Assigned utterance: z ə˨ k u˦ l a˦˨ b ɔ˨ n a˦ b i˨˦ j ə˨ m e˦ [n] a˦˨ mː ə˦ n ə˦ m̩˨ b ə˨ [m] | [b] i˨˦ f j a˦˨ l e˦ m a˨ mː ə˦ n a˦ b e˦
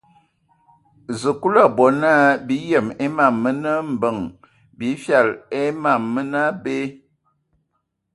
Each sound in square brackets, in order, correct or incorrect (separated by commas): incorrect, incorrect, correct